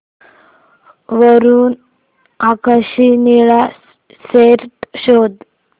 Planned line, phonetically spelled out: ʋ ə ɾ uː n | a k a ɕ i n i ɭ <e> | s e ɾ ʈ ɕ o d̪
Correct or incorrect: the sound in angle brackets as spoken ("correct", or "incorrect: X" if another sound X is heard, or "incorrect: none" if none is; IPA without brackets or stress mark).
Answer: incorrect: a